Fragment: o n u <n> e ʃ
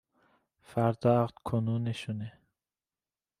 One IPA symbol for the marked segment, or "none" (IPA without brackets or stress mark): n